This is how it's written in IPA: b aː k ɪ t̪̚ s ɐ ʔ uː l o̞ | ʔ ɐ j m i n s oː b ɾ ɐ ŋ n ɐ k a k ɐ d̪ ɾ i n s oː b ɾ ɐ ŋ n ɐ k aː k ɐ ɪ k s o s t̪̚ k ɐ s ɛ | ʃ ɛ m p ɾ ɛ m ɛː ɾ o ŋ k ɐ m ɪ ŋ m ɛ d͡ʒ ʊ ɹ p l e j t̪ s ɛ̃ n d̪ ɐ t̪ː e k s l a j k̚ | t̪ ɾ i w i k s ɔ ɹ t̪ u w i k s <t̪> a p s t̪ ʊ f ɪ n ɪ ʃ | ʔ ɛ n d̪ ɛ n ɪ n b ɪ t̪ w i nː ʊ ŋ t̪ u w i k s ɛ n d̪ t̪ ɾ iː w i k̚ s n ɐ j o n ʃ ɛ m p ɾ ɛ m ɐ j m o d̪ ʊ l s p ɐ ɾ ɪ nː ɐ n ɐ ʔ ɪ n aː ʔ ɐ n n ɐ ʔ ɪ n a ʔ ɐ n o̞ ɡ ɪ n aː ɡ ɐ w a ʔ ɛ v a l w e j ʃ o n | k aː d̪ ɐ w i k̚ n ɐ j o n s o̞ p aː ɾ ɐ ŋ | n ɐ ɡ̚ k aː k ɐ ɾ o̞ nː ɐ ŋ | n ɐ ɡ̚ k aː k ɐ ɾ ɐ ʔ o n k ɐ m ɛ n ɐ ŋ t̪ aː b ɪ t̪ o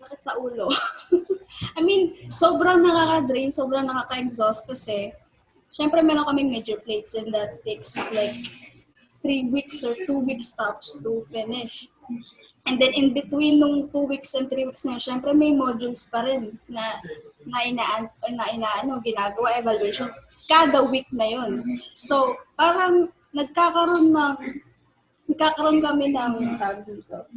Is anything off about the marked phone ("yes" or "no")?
no